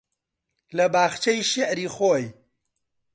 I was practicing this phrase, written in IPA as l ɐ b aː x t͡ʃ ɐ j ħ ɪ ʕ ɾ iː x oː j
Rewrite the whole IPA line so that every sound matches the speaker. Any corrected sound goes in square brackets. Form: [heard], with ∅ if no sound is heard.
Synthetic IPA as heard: l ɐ b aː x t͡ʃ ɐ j [ʃ] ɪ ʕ ɾ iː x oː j